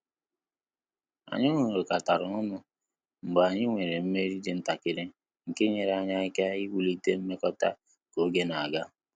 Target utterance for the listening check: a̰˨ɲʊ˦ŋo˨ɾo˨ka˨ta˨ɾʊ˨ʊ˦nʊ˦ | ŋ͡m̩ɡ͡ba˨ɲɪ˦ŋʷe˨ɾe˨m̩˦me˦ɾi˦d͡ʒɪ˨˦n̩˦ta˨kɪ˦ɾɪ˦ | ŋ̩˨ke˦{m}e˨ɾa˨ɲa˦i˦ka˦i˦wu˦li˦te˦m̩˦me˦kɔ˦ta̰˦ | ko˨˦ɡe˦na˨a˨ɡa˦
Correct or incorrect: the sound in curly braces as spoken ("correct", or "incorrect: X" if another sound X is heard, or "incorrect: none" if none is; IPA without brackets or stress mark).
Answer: incorrect: ɲ